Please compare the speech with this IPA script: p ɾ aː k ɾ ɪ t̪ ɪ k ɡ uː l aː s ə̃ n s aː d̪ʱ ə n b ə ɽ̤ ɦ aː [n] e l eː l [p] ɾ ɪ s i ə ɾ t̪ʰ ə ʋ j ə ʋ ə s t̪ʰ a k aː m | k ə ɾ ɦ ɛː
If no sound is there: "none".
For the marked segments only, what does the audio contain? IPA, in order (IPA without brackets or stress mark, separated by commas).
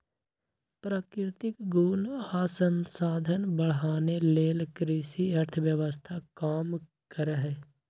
n, k